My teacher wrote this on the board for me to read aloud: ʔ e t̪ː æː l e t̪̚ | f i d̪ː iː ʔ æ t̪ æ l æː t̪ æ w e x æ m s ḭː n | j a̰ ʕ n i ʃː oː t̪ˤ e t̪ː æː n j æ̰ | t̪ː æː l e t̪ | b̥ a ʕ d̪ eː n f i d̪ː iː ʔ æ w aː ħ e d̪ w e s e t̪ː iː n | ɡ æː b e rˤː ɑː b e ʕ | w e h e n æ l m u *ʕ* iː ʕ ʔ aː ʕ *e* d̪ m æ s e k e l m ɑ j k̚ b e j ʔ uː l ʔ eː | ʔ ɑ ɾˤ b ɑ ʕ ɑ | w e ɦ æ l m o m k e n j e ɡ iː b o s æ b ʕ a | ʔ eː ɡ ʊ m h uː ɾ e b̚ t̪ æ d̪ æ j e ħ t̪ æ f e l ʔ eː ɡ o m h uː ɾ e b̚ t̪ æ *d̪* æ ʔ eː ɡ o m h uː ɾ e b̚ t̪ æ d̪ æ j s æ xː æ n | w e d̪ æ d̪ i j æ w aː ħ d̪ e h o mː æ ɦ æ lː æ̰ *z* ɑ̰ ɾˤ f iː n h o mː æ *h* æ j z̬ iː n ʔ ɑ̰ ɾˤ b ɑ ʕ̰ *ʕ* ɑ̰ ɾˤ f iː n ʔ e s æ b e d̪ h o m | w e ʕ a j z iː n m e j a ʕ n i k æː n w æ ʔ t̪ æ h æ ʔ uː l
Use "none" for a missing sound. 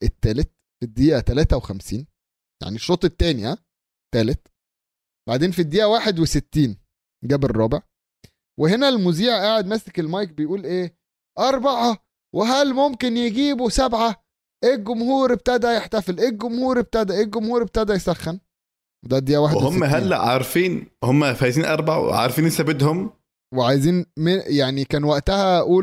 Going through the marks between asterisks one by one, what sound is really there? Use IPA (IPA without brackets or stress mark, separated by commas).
z, e, d̪, ʕ, f, ʕ